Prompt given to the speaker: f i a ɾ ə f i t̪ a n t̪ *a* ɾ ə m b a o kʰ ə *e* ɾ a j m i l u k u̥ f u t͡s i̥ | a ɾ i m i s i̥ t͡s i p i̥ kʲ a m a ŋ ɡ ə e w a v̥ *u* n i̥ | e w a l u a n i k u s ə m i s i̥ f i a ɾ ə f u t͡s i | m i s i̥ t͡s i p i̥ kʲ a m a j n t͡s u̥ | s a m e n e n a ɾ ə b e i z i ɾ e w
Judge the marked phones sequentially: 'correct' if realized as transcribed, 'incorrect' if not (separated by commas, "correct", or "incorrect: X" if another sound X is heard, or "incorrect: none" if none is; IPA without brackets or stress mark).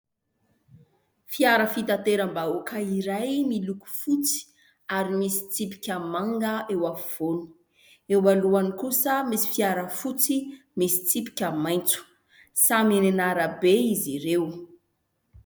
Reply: incorrect: e, incorrect: i, incorrect: o